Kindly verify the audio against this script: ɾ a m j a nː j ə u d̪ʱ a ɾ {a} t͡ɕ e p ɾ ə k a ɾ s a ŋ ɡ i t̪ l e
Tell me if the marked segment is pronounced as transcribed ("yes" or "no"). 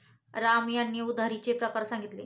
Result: no